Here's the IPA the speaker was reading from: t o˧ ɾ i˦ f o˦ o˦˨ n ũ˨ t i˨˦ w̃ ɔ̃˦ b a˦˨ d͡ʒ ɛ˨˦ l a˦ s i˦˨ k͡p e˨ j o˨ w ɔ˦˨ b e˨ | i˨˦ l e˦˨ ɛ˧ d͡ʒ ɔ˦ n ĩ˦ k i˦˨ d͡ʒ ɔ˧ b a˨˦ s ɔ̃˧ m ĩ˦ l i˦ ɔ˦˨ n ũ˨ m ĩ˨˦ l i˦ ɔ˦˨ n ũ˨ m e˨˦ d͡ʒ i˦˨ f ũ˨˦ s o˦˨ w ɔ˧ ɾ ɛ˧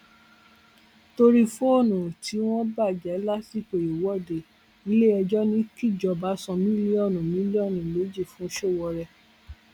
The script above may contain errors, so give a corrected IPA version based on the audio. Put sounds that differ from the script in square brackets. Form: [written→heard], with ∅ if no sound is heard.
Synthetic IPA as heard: t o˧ ɾ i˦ f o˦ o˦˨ n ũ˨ t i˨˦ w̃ ɔ̃˦ b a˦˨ d͡ʒ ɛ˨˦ l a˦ s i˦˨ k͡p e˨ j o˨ w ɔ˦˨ [b→d] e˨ | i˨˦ l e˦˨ ɛ˧ d͡ʒ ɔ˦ n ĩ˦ k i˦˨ d͡ʒ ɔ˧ b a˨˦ s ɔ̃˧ m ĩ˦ l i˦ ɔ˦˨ n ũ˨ m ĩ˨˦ l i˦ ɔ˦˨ n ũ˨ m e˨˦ d͡ʒ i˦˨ f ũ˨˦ [s→ʃ] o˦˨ w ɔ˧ ɾ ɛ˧